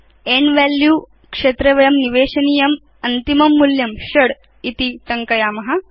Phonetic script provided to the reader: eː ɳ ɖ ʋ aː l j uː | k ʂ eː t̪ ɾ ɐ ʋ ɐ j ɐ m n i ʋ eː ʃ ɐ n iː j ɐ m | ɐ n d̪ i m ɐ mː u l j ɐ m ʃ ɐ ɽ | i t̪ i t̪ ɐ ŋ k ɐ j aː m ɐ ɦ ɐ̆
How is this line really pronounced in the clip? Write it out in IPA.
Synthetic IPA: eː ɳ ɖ ʋ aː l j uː | k ʂ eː t̪ ɾ ɐ ʋ ɐ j ɐ m n i ʋ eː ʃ ɐ n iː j ɐ m | ɐ n t̪ i m ɐ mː u l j ɐ m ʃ ɐ ɽ | i t̪ i t̪ ɐ ŋ k ɐ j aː m ɐ ɦ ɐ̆